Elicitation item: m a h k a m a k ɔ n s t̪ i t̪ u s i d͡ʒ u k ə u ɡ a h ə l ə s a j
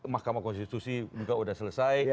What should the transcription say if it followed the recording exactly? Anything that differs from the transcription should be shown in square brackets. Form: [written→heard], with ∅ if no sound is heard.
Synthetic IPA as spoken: m a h k a m a k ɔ n s t̪ i t̪ u s i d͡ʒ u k [ə→a] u [ɡ→d] a [h→s] ə l ə s a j